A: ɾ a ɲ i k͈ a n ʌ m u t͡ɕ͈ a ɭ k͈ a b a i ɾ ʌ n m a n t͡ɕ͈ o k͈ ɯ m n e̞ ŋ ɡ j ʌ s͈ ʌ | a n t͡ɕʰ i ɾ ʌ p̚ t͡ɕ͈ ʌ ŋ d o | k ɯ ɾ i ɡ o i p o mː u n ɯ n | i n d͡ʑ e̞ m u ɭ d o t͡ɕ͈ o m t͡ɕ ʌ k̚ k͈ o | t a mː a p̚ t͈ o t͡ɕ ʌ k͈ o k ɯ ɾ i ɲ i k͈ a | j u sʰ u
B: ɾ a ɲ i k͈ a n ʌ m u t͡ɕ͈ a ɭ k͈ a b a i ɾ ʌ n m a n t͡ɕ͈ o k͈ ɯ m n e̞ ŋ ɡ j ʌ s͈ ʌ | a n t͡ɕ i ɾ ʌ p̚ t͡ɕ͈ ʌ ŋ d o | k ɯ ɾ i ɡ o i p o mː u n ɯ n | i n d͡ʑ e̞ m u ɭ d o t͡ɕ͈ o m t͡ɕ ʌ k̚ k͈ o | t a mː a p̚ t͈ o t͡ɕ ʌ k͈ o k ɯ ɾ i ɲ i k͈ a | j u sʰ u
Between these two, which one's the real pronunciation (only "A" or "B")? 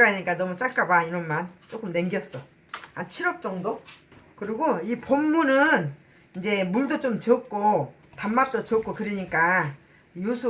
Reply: A